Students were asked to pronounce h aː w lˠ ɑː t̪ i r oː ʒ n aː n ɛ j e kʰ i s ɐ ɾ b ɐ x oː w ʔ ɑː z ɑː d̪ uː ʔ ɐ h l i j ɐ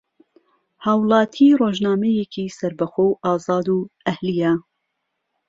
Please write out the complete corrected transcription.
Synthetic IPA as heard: h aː w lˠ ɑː t̪ʰ i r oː ʒ n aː m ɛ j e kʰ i s ɐ ɾ b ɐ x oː w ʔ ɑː z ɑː d̪ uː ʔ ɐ h l i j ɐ